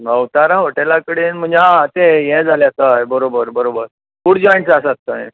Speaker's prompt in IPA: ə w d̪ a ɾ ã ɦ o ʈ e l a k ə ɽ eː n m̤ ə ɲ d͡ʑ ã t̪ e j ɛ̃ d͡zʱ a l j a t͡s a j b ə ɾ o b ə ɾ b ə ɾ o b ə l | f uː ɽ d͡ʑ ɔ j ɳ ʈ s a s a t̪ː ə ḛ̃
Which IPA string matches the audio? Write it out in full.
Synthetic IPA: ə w t̪ a ɾ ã ɦ o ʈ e l a k ə ɽ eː n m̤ ə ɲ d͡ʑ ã t̪ e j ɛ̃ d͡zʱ a l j a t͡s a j b ə ɾ o b ə ɾ b ə ɾ o b ə ɾ | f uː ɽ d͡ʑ ɔ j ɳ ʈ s a s a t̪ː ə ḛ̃